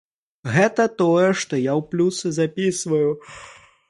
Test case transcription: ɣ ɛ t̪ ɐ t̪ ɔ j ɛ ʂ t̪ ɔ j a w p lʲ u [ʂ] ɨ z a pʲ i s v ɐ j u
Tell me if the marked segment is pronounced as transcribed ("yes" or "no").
no